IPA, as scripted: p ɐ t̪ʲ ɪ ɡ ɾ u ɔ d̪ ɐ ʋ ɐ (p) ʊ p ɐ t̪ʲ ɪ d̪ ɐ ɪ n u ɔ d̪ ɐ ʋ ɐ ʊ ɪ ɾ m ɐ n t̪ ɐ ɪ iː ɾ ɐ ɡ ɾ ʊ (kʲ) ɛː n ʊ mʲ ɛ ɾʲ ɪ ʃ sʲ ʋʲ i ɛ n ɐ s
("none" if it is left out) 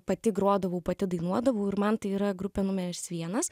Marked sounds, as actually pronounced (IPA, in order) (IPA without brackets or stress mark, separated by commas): none, pʲ